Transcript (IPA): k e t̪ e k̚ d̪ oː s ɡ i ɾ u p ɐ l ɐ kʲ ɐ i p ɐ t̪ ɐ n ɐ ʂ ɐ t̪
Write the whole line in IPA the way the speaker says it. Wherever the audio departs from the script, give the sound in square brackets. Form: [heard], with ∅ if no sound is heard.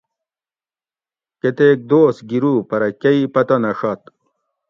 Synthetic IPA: k e t̪ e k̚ d̪ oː s ɡ i ɾ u p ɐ [ɾ] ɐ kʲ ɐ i p ɐ t̪ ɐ n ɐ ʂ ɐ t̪